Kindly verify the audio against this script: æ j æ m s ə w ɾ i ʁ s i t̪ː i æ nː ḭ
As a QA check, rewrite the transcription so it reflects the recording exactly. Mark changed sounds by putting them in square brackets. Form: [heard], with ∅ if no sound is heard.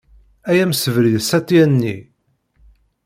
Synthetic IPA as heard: æ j æ m s ə [v] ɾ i [ð] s [æ] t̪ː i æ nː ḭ